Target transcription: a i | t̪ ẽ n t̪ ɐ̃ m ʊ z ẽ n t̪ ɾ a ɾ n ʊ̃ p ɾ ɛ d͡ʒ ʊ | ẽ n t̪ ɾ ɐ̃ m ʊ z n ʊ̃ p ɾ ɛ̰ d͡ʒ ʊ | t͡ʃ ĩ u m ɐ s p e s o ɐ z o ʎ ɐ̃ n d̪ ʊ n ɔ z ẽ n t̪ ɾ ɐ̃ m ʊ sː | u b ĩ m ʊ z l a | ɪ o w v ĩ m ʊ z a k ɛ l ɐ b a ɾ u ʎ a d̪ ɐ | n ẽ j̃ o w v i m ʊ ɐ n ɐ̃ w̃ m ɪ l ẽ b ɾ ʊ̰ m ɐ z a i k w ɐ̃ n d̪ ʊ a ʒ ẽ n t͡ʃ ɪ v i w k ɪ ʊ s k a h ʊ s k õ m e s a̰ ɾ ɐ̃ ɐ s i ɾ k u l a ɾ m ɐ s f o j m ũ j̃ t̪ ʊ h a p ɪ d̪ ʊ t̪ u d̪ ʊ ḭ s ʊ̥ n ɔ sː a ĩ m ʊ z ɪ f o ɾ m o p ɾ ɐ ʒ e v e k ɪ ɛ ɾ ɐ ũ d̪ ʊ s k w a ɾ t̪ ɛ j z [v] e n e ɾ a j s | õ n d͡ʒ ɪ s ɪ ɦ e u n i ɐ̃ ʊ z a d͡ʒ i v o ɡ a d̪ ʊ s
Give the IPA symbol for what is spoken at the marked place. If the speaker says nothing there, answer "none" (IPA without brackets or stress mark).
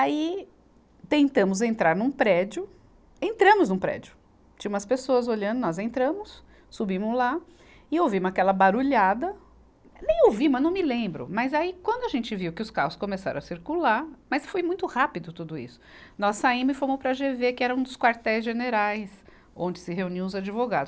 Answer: ʒ